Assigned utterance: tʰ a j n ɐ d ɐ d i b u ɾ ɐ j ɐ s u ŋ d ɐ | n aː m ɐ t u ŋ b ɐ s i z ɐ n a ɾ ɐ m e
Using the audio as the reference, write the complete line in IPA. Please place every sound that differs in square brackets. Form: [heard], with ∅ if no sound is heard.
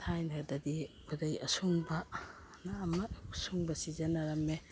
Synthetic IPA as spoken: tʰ a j n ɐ d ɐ d i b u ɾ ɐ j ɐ s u ŋ [b] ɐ | n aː m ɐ [s] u ŋ b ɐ s i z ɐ n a ɾ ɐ m e

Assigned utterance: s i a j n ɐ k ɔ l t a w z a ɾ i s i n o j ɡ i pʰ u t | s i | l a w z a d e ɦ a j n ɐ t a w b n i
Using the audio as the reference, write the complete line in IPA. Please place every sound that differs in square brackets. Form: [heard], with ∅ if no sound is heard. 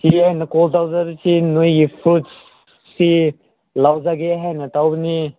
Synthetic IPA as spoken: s i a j n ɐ k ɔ l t a w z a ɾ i s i n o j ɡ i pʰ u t | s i | l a w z a [ɡ] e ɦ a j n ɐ t a w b n i

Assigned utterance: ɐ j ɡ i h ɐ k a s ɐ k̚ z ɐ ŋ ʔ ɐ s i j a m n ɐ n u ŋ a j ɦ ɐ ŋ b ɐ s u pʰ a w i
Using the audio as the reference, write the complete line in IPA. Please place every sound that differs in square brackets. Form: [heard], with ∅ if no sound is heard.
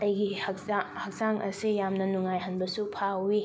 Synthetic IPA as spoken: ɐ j ɡ i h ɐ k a [h] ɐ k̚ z [a] ŋ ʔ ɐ s i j a m n ɐ n u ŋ a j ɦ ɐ [n] b ɐ s u pʰ a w i

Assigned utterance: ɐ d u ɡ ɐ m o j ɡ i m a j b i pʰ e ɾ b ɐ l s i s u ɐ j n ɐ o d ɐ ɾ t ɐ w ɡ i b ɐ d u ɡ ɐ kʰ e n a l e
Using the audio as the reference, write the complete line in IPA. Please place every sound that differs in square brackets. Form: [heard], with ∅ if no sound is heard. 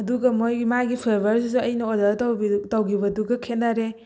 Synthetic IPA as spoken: ɐ d u ɡ ɐ m o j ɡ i m a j [ɡ] i pʰ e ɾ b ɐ [ɾ] s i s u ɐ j n ɐ o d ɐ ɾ t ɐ w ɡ i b ɐ d u ɡ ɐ kʰ e n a [ɾ] e

